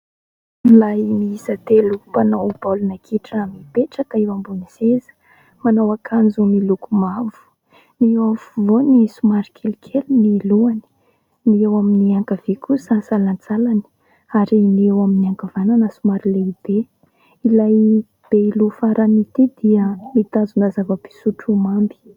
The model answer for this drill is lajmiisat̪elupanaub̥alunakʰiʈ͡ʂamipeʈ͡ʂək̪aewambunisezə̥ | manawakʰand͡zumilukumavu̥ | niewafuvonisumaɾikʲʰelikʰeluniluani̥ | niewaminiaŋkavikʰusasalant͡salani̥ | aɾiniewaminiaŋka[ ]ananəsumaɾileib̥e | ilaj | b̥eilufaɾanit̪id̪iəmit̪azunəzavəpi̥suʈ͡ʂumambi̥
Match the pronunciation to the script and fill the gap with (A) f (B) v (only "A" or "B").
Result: B